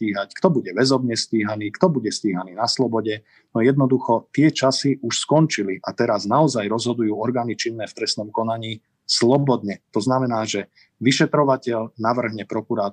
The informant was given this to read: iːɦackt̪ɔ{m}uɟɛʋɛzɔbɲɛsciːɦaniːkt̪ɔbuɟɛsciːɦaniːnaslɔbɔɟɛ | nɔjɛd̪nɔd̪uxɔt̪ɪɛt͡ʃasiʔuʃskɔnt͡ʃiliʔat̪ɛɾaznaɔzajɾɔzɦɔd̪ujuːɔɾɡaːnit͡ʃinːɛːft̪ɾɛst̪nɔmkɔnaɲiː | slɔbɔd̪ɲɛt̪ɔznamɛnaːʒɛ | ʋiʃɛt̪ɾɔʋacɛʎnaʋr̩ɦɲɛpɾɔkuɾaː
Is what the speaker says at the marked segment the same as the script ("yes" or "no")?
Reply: no